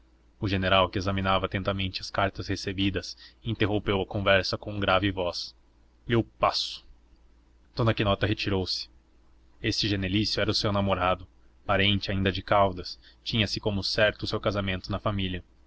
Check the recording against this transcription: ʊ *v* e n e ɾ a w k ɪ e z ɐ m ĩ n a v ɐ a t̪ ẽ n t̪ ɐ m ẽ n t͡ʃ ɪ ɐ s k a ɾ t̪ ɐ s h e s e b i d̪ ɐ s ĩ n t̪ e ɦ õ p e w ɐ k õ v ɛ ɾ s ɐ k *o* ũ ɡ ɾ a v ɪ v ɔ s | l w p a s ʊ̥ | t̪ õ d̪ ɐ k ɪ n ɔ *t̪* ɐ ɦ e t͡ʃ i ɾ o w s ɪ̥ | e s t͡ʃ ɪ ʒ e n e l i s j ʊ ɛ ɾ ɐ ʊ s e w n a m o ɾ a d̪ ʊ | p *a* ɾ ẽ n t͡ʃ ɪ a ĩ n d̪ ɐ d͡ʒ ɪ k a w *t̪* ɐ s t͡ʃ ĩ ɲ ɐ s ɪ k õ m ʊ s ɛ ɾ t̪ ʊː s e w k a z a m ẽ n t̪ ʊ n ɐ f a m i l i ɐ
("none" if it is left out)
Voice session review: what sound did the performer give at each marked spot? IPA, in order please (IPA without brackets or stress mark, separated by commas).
ʒ, õ, t̪, a, d̪